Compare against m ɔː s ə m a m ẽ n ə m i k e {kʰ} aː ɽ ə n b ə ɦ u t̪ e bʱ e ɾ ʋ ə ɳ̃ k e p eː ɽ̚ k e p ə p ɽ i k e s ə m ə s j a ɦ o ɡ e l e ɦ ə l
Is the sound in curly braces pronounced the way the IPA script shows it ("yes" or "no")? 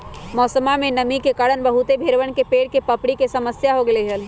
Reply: no